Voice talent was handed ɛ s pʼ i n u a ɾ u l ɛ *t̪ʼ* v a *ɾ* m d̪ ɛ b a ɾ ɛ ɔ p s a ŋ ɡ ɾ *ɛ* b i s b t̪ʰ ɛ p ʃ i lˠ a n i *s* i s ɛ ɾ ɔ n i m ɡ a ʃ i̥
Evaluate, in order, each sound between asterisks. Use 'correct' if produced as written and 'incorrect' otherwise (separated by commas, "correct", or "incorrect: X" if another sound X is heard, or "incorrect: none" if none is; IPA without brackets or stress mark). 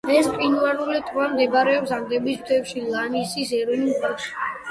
correct, incorrect: none, correct, correct